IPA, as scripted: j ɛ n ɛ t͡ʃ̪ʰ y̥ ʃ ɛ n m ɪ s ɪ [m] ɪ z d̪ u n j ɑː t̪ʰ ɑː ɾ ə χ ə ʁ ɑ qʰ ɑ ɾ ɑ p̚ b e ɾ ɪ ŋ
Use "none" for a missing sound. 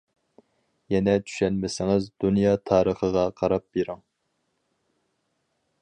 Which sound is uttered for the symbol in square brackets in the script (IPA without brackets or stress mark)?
ŋ